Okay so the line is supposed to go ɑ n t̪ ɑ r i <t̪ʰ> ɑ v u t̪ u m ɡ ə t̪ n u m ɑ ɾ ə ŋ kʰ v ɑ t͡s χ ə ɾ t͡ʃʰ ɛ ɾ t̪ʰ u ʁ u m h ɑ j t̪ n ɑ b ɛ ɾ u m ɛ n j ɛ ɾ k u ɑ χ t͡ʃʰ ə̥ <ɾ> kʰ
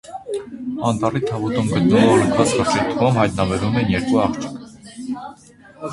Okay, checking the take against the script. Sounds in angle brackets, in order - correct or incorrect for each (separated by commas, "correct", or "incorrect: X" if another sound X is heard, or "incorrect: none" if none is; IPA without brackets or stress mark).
correct, incorrect: none